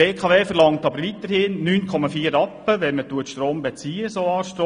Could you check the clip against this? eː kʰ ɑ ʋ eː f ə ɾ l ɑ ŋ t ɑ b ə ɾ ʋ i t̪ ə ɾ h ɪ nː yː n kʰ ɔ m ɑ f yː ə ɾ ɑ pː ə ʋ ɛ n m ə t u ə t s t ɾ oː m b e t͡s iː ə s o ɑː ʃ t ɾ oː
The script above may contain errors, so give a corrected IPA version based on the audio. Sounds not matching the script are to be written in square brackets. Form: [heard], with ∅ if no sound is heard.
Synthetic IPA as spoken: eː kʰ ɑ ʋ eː f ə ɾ l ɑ ŋ t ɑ b ə ɾ ʋ i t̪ ə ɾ h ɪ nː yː n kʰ ɔ m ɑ f [iː] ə ɾ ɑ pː ə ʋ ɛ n m ə t u ə t [ʃ] t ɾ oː m b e t͡s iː ə s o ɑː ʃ t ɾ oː